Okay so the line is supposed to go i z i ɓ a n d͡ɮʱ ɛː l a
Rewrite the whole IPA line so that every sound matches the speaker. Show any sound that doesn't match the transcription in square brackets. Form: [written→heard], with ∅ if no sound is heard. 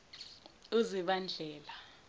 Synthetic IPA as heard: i z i ɓ a n d͡ɮʱ ɛː l a